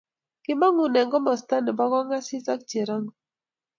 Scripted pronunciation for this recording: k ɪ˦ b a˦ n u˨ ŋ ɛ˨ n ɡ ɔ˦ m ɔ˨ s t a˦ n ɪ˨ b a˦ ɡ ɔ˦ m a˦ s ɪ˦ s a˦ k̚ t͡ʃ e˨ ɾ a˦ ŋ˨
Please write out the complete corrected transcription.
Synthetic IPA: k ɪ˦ m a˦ ŋ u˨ n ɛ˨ ŋ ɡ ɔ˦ m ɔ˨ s t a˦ n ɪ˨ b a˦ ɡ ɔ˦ ŋ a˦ s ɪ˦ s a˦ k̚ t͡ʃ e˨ ɾ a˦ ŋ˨